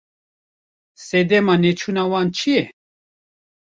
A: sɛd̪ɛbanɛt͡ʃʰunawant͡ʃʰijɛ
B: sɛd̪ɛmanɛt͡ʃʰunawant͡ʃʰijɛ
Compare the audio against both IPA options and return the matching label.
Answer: B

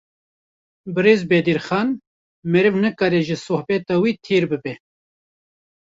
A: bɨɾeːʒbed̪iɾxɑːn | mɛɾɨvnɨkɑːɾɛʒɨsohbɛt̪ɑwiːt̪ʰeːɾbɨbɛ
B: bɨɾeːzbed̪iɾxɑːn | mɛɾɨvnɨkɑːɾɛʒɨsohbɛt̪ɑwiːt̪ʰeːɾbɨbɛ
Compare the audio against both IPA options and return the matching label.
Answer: B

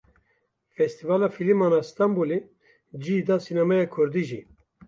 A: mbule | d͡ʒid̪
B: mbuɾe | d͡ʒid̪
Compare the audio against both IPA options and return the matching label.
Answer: A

